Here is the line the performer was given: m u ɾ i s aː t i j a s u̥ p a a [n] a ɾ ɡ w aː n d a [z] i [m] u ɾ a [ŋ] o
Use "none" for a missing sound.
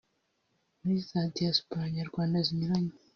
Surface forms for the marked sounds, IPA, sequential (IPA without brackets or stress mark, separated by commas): ɲ, z, ɲ, ɲ